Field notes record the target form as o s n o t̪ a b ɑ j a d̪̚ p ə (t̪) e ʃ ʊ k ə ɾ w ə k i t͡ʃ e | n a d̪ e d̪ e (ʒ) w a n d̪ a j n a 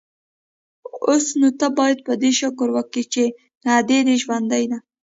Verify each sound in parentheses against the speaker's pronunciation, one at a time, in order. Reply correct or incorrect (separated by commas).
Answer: incorrect, correct